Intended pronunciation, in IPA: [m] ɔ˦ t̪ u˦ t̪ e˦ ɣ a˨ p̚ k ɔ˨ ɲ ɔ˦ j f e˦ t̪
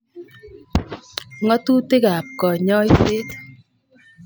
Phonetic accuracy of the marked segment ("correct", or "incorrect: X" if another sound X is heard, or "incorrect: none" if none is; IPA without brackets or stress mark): incorrect: ŋ